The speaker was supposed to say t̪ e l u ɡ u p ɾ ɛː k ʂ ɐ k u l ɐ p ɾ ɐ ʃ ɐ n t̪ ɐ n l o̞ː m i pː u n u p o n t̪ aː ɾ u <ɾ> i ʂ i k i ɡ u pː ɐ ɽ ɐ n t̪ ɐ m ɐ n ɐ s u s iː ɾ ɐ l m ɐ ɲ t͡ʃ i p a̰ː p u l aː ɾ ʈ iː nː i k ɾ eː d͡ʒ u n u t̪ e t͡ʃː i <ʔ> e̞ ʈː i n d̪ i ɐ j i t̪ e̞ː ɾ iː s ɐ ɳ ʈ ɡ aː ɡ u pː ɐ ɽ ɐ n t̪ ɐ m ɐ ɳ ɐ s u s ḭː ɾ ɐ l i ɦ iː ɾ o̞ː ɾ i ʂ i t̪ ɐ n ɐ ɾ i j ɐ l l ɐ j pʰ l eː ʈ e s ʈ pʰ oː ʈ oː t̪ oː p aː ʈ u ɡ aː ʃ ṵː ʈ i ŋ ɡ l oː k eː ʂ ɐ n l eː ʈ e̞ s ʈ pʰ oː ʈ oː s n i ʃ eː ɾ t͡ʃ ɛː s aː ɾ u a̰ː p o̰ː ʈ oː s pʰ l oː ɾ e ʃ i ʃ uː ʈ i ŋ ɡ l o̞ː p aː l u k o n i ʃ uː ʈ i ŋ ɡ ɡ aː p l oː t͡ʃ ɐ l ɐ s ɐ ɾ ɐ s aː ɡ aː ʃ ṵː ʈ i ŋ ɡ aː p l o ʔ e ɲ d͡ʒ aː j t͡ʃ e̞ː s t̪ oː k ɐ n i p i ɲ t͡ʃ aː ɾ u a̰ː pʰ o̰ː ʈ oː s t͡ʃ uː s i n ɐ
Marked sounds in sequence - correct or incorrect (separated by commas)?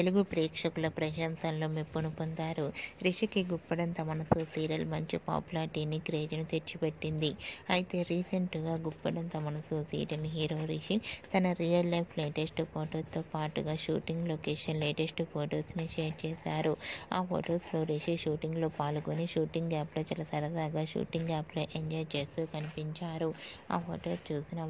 correct, incorrect